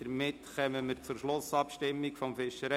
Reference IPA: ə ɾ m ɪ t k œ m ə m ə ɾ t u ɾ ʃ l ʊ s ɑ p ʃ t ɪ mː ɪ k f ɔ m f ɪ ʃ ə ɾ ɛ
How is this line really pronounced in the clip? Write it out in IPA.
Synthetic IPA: ə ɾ m ɪ t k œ m ə m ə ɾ t͡s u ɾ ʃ l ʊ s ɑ p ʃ t ɪ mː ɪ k f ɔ m f ɪ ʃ ə ɾ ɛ